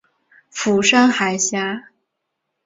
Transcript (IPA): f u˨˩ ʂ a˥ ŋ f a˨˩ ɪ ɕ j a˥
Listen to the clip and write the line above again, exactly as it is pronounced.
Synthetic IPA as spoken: f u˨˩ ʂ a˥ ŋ x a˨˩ ɪ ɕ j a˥